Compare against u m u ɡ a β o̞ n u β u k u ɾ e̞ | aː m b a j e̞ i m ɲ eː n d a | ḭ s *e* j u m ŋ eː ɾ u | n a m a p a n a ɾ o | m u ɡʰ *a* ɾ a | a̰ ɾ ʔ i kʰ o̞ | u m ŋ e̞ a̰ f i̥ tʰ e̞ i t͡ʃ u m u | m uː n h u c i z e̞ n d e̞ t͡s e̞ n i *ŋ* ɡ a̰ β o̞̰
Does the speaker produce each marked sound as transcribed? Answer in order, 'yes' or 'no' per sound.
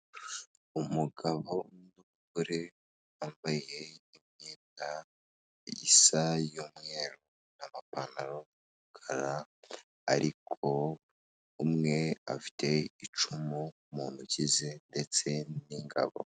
no, yes, yes

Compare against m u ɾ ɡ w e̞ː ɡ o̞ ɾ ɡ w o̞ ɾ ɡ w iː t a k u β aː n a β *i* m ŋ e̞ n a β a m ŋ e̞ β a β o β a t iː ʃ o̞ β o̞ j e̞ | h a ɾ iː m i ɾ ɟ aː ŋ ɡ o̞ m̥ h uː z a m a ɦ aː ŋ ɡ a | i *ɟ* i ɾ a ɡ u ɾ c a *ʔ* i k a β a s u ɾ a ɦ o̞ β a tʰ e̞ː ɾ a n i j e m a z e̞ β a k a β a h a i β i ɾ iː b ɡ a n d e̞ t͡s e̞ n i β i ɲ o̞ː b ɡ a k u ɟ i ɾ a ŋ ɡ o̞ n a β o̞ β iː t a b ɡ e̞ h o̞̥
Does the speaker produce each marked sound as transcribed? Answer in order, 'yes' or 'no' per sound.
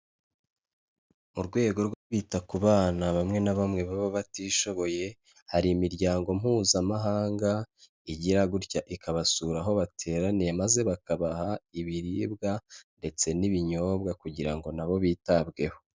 no, yes, yes

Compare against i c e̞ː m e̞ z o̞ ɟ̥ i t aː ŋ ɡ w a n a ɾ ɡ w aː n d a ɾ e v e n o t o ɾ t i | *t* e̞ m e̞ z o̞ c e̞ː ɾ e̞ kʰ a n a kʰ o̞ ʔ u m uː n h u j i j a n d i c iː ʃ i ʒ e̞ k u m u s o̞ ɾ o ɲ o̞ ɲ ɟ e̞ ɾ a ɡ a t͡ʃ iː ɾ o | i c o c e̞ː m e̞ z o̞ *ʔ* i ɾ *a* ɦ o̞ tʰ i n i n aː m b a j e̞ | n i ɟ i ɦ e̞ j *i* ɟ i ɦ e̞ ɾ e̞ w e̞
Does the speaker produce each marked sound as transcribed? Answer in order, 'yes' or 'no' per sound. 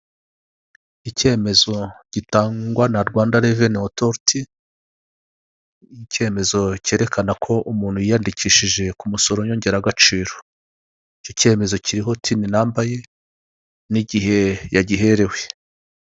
no, no, no, no

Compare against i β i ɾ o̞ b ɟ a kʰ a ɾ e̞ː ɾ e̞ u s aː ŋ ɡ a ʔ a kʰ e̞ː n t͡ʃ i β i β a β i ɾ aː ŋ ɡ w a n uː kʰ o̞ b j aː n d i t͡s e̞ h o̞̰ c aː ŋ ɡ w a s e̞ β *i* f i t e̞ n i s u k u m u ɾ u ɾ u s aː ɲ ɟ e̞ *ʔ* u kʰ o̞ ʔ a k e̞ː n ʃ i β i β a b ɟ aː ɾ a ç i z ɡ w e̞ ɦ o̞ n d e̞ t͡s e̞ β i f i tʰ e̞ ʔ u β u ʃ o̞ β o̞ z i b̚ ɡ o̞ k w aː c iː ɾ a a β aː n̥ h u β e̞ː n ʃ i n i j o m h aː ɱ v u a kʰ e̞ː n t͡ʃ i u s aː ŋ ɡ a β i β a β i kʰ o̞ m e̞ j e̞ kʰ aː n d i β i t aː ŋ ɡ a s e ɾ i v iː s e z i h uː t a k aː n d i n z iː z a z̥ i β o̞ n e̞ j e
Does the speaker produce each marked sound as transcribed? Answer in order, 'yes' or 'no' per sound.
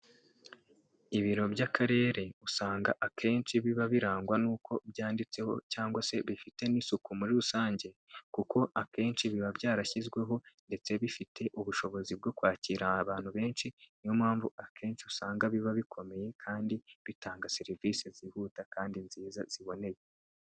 yes, no

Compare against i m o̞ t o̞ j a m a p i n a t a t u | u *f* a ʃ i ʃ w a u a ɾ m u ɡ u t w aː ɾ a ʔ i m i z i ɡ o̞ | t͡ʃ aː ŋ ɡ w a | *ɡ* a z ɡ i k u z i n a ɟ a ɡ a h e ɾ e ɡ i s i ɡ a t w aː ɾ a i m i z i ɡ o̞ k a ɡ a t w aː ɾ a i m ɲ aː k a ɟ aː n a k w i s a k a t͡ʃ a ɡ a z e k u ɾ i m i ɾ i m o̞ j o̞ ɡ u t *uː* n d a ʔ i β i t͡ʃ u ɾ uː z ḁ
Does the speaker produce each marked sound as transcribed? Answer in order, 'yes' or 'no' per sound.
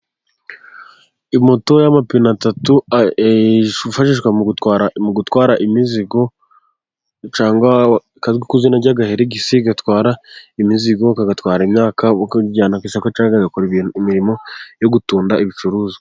yes, no, yes

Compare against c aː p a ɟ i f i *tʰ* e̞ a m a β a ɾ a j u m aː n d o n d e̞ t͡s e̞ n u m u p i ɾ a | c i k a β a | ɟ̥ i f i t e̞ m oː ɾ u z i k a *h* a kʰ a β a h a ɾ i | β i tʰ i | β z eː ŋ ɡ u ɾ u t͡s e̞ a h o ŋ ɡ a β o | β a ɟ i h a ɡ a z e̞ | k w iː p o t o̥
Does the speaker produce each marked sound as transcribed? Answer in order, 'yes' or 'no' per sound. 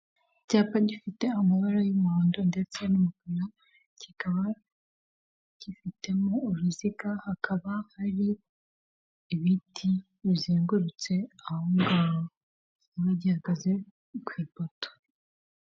no, yes

